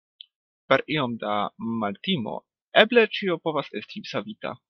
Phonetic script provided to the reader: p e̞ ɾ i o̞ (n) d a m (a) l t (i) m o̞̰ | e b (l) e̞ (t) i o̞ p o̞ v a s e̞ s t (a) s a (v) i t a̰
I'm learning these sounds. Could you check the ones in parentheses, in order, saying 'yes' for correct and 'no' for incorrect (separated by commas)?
no, yes, yes, yes, no, no, yes